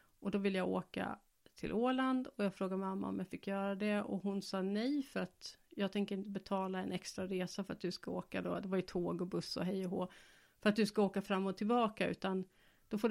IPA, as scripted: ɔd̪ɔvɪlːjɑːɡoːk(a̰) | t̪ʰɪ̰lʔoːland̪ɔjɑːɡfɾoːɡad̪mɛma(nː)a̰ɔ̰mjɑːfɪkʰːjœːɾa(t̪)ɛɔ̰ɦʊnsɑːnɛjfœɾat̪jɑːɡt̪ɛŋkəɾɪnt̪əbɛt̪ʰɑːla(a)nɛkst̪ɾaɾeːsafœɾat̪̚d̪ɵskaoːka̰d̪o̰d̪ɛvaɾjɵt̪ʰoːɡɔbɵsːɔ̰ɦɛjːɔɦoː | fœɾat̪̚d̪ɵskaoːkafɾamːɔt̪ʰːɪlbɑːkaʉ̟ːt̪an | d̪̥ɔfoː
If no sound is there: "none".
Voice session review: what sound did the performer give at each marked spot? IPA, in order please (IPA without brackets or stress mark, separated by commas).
a̰, mː, d̪, ɛ